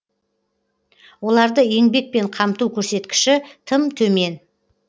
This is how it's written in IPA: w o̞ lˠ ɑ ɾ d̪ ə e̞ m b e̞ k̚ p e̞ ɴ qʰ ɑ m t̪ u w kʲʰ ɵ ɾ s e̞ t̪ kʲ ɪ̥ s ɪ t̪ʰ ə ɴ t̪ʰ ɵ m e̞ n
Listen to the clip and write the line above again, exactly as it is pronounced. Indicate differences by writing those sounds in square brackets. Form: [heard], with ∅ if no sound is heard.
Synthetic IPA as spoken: w o̞ lˠ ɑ ɾ d̪ ə e̞ [ŋ] b e̞ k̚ p e̞ ɴ qʰ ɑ m t̪ u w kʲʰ ɵ ɾ s e̞ t̪ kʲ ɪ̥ [ʃ] ɪ t̪ʰ ə [m] t̪ʰ ɵ m e̞ n